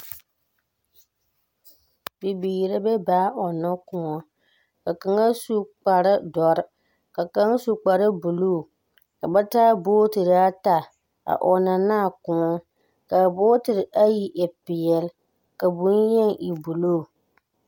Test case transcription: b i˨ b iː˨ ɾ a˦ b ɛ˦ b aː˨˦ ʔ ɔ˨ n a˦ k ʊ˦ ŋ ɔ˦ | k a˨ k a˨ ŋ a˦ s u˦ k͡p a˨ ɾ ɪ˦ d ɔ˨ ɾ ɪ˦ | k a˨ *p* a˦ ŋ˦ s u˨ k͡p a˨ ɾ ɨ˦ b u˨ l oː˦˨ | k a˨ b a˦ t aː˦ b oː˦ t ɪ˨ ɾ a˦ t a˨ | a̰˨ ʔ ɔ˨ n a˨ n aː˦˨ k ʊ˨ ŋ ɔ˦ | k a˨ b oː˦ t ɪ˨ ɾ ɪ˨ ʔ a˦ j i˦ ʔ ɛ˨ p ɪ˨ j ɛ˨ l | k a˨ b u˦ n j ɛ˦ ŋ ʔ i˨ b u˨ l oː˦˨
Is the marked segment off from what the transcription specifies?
yes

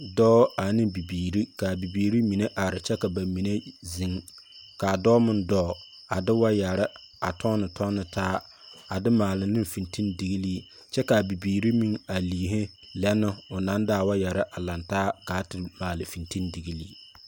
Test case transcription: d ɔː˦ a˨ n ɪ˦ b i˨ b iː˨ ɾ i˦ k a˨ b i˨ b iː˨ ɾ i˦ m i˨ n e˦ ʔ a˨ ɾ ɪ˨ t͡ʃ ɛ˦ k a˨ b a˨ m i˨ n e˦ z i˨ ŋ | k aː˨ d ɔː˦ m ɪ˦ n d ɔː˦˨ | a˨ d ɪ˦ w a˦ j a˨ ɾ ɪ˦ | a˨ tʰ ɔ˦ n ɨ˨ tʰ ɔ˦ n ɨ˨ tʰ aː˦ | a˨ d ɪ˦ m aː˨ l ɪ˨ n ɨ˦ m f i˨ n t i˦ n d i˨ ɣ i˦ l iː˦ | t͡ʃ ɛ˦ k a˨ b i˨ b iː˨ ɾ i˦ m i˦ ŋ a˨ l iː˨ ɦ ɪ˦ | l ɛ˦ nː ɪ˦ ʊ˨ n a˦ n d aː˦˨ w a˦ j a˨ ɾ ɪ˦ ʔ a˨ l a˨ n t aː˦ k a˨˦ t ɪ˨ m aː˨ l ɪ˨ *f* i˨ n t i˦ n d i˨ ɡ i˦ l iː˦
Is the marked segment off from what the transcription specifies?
no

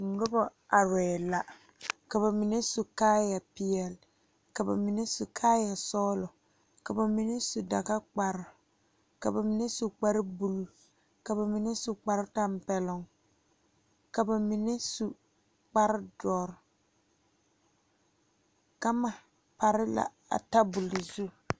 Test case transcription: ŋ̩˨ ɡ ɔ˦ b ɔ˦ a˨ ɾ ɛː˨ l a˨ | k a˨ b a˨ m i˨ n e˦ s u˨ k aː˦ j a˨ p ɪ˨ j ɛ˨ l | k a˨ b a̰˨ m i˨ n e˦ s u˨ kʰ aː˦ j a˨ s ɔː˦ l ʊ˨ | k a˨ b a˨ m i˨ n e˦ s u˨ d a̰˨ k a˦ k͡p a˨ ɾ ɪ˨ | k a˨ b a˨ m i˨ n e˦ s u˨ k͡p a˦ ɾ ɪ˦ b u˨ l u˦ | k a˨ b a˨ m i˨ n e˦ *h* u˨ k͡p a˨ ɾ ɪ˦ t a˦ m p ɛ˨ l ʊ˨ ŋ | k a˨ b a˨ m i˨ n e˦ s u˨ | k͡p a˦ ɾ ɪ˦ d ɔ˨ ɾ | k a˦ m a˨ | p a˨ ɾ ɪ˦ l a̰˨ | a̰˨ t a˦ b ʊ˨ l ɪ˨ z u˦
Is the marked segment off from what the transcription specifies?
yes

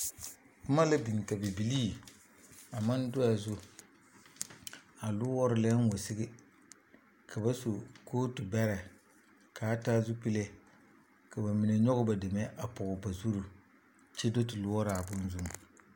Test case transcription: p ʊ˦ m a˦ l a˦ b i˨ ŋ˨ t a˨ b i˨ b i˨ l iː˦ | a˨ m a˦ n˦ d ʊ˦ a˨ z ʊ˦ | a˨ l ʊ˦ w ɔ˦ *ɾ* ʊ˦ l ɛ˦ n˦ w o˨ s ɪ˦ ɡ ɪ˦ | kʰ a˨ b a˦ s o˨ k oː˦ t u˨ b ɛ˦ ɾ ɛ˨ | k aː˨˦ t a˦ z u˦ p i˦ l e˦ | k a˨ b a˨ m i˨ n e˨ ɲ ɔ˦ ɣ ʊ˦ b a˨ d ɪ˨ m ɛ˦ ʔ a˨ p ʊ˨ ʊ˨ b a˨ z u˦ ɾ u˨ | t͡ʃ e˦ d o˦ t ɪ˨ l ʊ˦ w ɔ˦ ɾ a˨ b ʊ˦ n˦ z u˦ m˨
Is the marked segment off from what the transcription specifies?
no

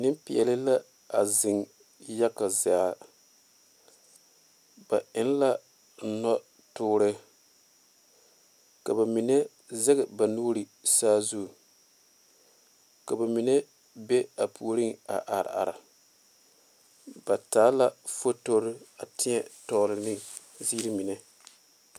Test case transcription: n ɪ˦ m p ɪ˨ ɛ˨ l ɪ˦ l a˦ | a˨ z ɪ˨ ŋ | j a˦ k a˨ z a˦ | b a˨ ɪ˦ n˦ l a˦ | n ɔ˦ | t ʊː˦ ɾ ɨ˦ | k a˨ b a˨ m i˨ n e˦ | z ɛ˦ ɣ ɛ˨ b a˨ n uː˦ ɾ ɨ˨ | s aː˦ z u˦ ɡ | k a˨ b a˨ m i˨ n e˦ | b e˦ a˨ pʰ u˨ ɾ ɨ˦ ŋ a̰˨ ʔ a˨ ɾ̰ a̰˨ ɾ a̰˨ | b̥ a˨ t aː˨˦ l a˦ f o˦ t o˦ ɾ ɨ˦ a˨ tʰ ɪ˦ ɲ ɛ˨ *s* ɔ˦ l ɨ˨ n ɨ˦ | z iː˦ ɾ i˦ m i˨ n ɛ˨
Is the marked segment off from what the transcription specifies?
yes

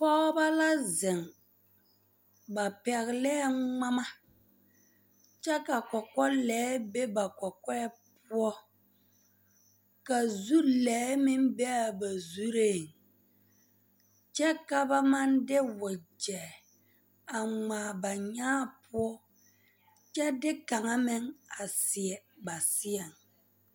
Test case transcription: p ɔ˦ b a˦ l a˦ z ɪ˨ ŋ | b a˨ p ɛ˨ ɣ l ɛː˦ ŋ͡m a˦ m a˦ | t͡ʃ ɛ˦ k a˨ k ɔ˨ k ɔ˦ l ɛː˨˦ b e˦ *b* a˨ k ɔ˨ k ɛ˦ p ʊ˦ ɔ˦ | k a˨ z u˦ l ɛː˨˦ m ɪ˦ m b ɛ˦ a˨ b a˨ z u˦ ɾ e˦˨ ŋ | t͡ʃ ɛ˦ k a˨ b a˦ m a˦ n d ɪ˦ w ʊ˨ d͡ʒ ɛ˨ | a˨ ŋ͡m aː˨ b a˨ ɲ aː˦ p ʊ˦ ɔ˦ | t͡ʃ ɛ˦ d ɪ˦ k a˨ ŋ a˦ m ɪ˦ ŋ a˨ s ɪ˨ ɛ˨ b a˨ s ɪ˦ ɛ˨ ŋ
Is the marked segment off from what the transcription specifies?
no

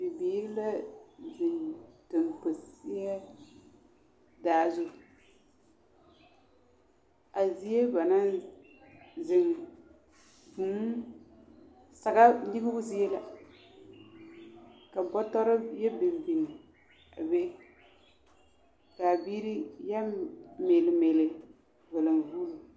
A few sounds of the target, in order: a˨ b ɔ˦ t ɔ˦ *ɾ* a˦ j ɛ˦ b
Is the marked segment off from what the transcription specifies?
no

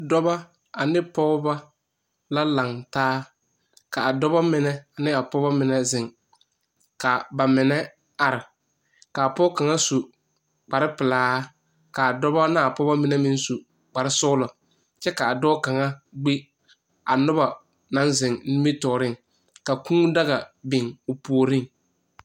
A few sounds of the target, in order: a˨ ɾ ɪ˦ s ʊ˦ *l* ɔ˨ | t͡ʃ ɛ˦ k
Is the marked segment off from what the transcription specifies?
no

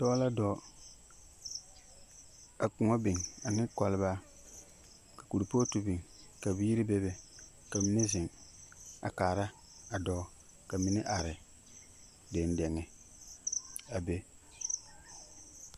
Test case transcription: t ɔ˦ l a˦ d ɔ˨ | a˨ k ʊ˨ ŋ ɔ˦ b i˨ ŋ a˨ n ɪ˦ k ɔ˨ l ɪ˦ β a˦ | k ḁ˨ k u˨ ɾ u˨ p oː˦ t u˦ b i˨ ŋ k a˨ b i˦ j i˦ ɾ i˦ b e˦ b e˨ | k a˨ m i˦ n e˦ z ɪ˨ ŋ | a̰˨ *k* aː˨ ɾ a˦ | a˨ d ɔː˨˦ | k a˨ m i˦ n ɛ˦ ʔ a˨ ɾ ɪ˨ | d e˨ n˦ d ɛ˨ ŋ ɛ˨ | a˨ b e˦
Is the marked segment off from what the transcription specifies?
no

